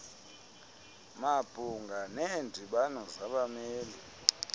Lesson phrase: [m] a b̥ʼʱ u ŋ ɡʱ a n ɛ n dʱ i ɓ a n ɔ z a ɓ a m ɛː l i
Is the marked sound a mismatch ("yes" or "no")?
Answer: no